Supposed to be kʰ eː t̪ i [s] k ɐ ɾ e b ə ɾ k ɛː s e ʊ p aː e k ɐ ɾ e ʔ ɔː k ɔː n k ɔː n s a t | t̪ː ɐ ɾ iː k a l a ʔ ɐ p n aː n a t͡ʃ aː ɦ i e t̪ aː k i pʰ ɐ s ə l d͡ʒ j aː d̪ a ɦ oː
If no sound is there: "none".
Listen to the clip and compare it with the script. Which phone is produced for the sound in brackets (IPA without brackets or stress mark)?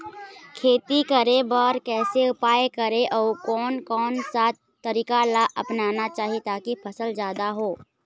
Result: none